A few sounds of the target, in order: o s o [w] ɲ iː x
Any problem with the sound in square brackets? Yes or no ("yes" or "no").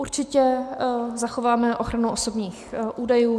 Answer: yes